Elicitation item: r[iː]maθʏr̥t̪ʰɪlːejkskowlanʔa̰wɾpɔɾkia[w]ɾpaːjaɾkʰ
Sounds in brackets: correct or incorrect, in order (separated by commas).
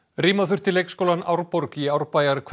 correct, correct